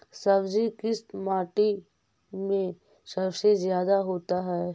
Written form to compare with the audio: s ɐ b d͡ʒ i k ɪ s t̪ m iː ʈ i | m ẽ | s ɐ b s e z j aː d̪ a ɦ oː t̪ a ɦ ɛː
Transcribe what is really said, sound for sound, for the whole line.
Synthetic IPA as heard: s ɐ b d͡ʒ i k ɪ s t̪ m aː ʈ i | m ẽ | s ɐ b s e z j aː d̪ a ɦ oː t̪ a ɦ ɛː